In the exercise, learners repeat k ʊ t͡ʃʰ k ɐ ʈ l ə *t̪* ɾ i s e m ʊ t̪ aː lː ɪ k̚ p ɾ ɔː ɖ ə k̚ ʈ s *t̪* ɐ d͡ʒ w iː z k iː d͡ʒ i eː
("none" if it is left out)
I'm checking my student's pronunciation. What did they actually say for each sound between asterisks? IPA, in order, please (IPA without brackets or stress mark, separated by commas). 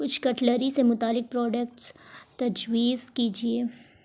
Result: none, t̪